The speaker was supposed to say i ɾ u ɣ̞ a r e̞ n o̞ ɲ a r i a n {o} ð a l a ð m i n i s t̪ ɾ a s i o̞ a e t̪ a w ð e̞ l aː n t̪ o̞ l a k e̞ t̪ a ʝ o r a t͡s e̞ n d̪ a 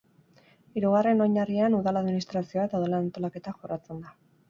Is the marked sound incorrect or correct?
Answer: incorrect